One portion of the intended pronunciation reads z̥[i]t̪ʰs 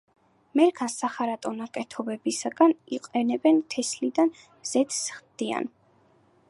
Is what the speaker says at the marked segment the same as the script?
no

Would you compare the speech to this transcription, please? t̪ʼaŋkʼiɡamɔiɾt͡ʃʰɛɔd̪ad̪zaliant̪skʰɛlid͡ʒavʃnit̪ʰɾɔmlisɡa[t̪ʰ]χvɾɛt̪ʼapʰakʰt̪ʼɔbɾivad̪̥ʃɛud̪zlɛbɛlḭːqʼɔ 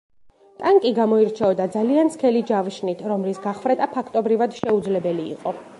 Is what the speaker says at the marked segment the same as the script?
no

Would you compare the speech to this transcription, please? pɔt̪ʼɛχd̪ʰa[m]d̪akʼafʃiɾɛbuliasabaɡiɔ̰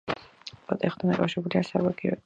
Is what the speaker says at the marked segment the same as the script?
no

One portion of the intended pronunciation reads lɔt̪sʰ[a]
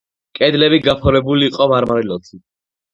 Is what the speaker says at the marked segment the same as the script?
no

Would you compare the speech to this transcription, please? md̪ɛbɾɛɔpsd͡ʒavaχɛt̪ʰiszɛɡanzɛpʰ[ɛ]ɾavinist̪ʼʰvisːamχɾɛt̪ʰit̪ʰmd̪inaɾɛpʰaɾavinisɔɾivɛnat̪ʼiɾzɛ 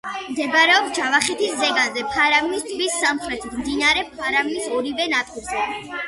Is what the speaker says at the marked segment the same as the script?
no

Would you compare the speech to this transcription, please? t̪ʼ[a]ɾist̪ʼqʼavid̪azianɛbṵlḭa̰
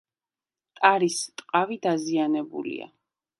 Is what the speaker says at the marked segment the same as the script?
yes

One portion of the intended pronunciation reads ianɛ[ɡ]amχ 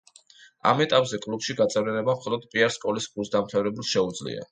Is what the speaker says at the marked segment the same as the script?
no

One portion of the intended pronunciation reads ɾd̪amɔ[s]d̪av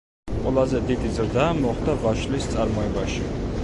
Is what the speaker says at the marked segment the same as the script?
no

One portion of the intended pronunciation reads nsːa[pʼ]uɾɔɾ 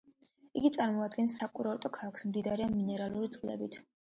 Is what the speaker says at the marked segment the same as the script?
no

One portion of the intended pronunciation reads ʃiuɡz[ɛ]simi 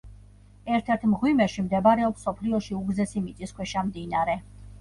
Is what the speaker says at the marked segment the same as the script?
yes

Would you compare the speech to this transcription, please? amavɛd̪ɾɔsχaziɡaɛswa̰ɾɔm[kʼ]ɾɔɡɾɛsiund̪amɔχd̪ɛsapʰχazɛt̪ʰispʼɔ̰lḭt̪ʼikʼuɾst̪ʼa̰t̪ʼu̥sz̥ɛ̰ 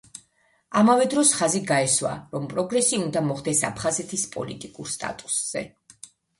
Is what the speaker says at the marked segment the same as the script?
no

